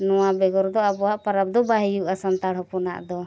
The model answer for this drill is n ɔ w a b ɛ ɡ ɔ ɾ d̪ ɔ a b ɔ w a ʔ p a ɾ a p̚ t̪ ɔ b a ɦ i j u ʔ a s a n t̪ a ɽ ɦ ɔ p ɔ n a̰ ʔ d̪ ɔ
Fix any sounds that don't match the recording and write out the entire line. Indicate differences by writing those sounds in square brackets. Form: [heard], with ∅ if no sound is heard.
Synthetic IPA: n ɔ w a b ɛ ɡ ɔ ɾ d̪ ɔ a b ɔ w a ʔ p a ɾ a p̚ [d̪] ɔ b a ɦ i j u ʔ a s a n t̪ a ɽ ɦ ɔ p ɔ n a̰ ʔ d̪ ɔ